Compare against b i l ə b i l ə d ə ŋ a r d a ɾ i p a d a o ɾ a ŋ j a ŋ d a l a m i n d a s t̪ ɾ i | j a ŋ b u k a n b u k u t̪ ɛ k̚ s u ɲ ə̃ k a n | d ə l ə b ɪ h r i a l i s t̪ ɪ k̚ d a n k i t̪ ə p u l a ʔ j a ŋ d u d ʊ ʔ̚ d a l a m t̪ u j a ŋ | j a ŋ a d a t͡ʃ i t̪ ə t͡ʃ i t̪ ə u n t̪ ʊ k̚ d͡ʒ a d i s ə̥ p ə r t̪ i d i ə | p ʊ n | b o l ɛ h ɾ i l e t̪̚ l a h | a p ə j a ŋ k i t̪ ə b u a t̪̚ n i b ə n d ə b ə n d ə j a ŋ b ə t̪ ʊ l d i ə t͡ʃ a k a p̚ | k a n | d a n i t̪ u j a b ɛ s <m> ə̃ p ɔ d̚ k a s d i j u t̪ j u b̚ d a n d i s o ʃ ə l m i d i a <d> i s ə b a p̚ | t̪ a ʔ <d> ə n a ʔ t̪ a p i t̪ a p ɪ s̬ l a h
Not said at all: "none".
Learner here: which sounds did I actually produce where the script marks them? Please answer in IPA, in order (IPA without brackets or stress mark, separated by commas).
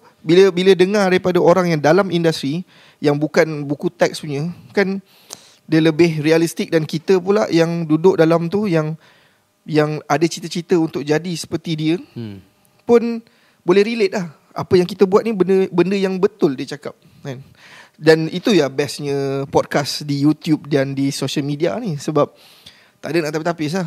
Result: ɲ, n, d